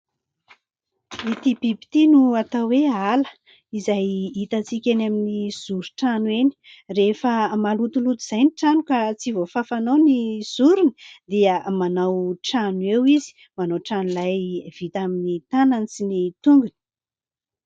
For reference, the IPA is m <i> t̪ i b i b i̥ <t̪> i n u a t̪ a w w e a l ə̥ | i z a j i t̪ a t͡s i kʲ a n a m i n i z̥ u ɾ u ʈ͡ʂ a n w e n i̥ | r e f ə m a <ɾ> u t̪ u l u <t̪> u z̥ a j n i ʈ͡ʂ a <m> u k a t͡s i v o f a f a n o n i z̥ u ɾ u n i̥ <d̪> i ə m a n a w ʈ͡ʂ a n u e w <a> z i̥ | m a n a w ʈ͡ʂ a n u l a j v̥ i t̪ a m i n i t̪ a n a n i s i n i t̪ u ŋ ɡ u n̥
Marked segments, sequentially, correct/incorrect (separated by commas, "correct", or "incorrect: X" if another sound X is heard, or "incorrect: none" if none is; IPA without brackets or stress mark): correct, correct, incorrect: l, correct, incorrect: n, correct, incorrect: i